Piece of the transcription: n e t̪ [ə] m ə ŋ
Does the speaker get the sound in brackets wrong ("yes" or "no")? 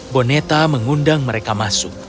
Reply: yes